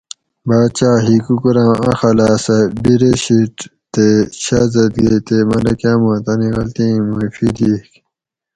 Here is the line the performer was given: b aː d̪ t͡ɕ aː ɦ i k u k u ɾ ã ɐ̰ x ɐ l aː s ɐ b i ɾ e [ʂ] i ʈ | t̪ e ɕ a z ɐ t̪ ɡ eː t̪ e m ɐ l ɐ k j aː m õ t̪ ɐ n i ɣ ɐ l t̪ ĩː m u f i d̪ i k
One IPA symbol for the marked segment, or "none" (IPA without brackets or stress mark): ɕ